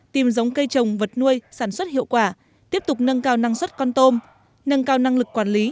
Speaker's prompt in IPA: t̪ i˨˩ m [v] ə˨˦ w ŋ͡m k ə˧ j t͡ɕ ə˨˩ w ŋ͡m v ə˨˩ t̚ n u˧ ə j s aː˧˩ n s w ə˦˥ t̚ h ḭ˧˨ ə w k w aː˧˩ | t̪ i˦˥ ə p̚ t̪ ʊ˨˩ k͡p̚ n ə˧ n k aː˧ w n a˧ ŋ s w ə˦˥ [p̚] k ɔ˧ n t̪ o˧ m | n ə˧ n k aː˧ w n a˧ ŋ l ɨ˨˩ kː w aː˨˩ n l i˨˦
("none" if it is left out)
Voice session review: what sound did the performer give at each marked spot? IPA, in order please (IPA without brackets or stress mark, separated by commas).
z, t̚